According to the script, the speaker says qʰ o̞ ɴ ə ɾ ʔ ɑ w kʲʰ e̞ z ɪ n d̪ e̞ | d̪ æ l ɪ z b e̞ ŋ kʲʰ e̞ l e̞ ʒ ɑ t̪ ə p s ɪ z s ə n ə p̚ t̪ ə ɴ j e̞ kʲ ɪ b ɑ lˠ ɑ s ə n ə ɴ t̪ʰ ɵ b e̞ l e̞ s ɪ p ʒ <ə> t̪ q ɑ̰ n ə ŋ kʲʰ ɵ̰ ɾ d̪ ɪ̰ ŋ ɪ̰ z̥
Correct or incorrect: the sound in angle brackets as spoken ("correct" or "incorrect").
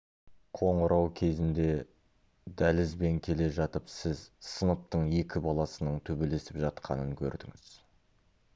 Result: incorrect